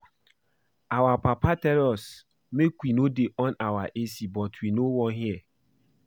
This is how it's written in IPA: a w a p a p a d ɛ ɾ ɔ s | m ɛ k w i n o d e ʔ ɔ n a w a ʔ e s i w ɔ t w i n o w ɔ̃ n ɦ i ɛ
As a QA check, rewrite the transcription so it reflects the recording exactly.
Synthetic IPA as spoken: a w a p a p a t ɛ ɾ ɔ s | m e k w i n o d e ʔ ɔ n a w a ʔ e s i b ɔ t w i n o w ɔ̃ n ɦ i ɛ

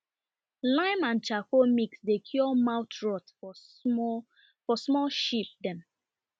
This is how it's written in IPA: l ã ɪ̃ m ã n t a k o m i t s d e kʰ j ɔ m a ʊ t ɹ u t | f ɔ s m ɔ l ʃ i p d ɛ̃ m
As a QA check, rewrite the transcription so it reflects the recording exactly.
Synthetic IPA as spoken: l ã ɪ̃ m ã n t͡ʃ a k o m i k s d e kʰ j ɔ m a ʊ t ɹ ɔ t | f ɔ s m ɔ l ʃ i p d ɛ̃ m

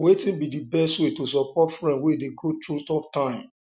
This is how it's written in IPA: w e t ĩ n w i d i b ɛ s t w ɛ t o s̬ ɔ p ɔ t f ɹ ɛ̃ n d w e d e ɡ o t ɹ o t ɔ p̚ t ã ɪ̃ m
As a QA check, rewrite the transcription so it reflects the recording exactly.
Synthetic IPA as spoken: w e t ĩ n b i d i b ɛ s t w e t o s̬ ɔ p ɔ t f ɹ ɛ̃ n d w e d e ɡ o t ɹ u t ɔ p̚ t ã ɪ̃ m

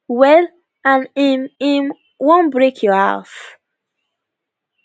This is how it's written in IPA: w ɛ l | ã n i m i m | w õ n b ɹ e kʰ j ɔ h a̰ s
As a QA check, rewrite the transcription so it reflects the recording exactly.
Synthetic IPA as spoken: w ɛ l | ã n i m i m | w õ n b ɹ e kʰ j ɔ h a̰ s

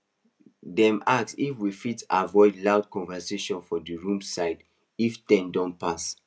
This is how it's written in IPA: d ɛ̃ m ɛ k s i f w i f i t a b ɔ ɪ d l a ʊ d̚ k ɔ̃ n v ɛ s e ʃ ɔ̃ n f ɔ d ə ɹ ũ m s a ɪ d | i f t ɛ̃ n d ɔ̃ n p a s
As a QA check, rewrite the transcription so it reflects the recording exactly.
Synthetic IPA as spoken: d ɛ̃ m a k s i f w i f i t a v ɔ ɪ d l a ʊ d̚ k ɔ̃ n v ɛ s e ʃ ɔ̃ n f ɔ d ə ɹ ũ m s a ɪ d | i f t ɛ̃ n d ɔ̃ n p a s

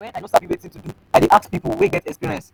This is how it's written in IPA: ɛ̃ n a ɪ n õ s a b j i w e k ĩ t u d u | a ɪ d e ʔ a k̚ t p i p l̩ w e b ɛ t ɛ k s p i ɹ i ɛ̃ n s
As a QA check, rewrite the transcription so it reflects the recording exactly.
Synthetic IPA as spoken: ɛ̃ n a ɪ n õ s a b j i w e t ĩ t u d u | a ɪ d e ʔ a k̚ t p i p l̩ w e ɡ ɛ t ɛ k s p i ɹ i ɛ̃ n s

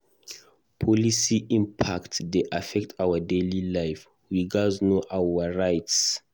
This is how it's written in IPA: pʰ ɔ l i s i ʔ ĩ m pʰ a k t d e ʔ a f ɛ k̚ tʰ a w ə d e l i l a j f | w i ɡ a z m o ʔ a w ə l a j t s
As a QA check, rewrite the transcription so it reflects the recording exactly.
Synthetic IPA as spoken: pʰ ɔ l i s i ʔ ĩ m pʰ a k t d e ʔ a f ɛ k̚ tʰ a w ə d e l i l a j f | w i ɡ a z n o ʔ a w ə ɹ a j t s

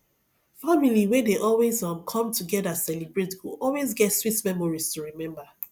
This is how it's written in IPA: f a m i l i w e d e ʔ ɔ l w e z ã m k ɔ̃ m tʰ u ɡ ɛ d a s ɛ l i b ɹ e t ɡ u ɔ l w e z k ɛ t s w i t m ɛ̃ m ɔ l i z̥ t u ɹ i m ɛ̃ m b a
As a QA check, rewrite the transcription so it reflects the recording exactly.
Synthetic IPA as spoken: f a m i l i w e d e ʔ ɔ l w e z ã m kʰ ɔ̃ m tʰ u ɡ ɛ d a s ɛ l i b ɹ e t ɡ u ɔ l w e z ɡ ɛ t s w i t m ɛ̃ m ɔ ɹ i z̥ t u ɹ i m ɛ̃ m b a

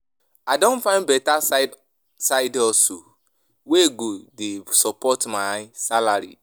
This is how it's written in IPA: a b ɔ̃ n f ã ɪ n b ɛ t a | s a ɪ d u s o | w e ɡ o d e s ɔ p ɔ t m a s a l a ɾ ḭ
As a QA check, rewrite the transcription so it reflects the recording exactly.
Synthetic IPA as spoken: a d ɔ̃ n f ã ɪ n b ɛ t a | s a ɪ d ɔ s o | w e ɡ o d e s ɔ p ɔ t m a s a l a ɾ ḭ

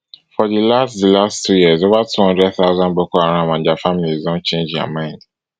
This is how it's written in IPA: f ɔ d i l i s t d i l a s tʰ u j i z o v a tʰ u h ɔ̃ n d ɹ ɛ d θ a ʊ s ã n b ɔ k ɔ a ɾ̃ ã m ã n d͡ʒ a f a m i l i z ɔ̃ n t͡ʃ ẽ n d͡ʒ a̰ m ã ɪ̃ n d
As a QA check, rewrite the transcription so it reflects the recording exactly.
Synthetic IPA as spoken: f ɔ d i l a s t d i l a s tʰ u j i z o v a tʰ u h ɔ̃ n d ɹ ɛ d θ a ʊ z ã n b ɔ k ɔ a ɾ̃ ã m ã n d͡ʒ a f a m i l i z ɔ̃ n t͡ʃ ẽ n d͡ʒ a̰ m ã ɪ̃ n d

